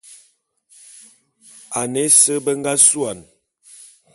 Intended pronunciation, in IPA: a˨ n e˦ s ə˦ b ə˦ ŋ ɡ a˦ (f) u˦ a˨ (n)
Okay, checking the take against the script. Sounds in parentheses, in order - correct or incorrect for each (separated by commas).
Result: incorrect, correct